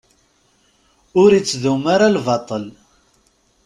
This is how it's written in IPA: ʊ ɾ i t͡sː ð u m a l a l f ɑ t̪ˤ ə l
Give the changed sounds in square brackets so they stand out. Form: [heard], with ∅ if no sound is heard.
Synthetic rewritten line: ʊ ɾ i t͡sː ð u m a [ɾ] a l [v] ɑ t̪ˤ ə l

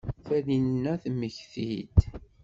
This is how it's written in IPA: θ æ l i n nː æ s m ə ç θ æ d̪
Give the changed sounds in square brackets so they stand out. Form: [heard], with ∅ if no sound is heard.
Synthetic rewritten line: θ æ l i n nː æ [θ] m ə ç θ [i] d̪

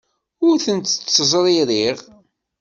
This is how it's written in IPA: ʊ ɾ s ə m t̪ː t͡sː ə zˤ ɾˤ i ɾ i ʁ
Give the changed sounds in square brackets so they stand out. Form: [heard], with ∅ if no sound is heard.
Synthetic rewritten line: ʊ ɾ [θ] ə [n] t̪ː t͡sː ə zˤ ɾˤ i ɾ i ʁ

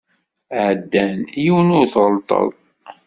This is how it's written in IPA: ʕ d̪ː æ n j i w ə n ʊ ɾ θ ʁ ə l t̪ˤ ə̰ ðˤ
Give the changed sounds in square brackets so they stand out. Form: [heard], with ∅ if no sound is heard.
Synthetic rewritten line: ʕ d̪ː æ n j i w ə n ʊ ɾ θ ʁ ə l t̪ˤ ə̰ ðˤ

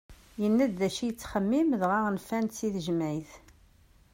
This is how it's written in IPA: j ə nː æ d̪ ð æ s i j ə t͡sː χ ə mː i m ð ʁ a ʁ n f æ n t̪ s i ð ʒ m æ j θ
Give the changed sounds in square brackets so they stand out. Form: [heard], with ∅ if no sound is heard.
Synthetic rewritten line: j ə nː æ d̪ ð æ [ʃ] i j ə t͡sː χ ə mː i m ð ʁ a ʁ n f æ n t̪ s i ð ʒ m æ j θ

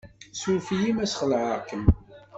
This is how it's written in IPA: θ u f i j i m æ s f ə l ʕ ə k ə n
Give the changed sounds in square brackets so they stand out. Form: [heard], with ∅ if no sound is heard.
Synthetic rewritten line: [s] u f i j i m æ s [χ] ə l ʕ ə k ə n

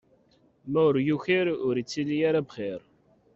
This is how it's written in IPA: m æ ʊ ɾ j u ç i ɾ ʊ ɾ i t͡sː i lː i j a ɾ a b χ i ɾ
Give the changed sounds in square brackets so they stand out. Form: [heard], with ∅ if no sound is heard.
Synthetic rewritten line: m æ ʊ ɾ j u ç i ɾ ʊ ɾ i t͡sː i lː i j a ɾ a b χ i ɾ

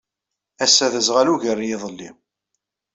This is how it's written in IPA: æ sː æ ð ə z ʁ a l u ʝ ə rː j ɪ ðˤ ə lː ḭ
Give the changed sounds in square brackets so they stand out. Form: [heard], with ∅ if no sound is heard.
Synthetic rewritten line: æ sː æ ð ə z ʁ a l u ʝ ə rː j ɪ ðˤ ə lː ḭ

